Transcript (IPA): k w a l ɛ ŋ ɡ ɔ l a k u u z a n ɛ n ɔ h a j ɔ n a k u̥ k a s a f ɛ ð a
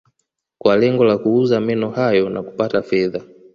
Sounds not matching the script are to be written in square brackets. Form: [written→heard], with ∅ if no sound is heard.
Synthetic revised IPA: k w a l ɛ ŋ ɡ ɔ l a k u u z a [n→m] ɛ n ɔ h a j ɔ n a k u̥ [k→p] a [s→t] a f ɛ ð a